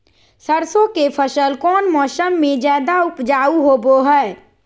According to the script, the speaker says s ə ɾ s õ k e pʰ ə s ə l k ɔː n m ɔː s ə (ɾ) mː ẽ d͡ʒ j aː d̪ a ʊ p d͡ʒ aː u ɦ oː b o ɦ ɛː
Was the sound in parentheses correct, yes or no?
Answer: no